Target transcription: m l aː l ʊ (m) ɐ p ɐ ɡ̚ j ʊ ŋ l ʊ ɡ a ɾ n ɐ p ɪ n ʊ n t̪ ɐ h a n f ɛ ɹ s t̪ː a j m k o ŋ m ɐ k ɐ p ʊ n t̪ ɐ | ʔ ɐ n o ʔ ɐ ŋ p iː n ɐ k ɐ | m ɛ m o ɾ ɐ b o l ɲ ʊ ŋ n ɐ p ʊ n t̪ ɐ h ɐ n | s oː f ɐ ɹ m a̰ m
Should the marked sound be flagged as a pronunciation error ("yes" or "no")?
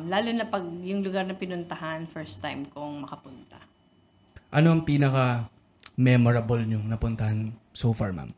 yes